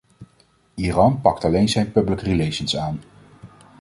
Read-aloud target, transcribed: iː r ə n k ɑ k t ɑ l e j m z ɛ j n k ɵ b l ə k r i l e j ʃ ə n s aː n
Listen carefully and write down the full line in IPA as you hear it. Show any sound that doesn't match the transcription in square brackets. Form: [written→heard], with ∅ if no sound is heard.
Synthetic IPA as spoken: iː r [ə→ɑ] n [k→p] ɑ k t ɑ l e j [m→n] z ɛ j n [k→p] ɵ b l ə k r i l e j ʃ ə n s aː n